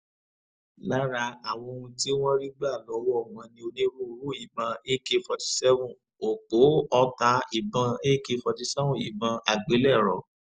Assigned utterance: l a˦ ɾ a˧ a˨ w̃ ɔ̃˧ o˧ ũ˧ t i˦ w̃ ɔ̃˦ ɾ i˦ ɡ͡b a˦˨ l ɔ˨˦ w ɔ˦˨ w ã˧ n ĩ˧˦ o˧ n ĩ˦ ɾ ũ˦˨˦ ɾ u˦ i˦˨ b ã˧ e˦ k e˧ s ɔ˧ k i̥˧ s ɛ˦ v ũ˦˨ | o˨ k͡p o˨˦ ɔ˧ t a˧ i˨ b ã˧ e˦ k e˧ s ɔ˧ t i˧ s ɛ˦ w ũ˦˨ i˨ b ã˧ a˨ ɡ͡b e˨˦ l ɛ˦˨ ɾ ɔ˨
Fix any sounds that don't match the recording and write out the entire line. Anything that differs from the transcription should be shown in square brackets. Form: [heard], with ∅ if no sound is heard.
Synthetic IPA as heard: l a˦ ɾ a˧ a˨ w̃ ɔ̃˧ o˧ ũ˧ t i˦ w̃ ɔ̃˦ ɾ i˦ ɡ͡b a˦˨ l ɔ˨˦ w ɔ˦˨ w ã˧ n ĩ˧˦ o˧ n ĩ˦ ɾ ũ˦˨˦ ɾ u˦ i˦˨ b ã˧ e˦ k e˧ [f] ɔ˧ [t] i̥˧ s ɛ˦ v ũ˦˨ | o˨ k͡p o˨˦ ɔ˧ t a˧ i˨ b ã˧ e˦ k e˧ [f] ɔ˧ t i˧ s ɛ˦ [v] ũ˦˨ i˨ b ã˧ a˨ ɡ͡b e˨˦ l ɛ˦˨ ɾ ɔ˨